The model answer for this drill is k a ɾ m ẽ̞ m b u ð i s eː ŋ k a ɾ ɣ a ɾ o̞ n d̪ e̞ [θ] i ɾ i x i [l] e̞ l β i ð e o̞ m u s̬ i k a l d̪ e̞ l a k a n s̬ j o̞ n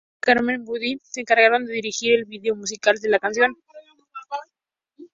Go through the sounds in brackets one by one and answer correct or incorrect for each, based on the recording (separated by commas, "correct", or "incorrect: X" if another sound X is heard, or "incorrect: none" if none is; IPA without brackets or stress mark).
incorrect: ð, incorrect: ɾ